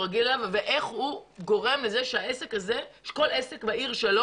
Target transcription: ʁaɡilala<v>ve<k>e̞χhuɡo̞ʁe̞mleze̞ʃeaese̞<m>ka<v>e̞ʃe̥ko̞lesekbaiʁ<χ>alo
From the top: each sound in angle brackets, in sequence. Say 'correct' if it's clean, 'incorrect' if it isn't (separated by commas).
correct, incorrect, incorrect, incorrect, incorrect